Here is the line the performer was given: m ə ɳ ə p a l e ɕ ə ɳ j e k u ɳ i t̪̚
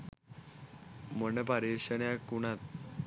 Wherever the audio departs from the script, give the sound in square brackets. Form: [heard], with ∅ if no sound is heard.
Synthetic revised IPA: m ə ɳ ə p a [ɾ] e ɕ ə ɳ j [a] k u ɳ [a] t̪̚